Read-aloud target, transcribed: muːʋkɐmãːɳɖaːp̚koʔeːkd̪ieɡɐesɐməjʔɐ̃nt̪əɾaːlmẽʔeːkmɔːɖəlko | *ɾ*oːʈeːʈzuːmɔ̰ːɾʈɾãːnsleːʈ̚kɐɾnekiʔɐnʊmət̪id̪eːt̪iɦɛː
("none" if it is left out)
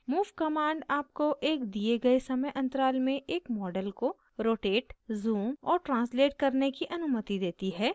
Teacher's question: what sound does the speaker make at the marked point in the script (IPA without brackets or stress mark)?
ɾ